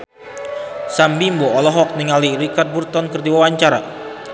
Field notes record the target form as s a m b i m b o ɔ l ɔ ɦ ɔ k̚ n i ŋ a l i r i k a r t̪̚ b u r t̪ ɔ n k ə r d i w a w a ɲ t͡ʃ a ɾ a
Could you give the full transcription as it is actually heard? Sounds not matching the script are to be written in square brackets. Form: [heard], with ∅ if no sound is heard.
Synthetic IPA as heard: s a m b i m b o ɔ l ɔ ɦ ɔ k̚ n i ŋ a l i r i k a r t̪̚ b u r t̪ ɔ n k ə r d i w a w a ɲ t͡ʃ a ɾ a